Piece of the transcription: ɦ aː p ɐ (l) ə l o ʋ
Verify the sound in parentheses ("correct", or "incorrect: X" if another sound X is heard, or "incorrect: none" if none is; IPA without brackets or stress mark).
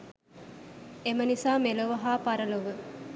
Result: incorrect: ɾ